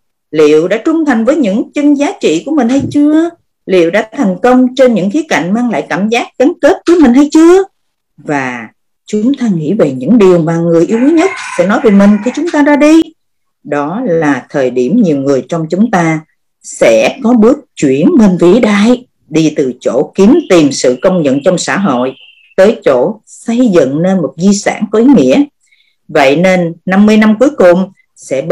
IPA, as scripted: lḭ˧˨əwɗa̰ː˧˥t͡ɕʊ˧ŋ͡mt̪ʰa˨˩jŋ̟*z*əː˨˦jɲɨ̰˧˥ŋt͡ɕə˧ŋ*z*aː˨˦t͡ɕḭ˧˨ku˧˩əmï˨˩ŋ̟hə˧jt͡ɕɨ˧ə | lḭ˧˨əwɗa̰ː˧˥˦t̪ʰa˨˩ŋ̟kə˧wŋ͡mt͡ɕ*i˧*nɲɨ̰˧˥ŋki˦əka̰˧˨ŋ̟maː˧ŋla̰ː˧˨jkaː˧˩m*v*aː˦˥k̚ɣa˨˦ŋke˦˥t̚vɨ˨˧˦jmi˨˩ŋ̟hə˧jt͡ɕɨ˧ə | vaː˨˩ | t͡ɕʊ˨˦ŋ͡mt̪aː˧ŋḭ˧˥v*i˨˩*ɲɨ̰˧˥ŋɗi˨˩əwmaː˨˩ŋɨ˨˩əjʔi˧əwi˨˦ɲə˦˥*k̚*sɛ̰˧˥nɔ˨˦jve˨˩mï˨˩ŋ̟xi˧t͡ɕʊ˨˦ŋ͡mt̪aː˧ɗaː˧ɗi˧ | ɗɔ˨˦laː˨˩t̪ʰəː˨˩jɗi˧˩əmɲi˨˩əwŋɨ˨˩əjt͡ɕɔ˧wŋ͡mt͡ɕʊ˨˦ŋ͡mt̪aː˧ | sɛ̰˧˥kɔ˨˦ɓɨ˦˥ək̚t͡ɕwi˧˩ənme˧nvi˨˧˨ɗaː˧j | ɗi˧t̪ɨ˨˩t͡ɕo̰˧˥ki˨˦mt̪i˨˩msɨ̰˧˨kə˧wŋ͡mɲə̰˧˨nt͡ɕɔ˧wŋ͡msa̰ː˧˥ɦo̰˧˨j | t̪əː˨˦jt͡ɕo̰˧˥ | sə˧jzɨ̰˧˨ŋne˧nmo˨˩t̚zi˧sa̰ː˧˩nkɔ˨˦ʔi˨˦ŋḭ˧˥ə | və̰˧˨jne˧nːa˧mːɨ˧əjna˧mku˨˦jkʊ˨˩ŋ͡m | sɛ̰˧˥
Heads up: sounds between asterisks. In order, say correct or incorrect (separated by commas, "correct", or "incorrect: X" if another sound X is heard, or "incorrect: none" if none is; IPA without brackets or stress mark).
incorrect: v, correct, incorrect: e˧, incorrect: z, incorrect: e˨˩, incorrect: t̚